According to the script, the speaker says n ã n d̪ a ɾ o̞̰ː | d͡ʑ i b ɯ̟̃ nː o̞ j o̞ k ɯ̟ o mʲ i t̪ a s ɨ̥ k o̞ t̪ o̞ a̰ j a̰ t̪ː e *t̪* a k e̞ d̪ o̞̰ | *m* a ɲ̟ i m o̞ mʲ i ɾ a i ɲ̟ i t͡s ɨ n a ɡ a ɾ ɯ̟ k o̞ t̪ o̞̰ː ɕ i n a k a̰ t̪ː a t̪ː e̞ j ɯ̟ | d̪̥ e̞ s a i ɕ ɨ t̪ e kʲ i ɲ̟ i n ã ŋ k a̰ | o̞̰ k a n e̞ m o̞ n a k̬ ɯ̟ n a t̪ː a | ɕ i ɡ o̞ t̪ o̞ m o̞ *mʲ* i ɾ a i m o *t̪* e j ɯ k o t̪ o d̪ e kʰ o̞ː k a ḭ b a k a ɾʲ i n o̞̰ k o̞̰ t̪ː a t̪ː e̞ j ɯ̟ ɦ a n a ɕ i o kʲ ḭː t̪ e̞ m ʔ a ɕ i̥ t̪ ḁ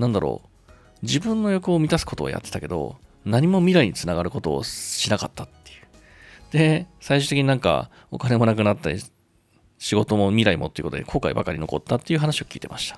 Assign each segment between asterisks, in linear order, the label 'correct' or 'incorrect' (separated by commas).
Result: correct, incorrect, correct, correct